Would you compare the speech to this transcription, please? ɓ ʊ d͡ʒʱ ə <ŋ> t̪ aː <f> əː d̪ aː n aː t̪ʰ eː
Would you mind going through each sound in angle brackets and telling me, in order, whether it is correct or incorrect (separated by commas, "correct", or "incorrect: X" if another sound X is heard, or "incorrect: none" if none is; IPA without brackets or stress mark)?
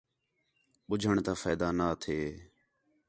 incorrect: ɳ, correct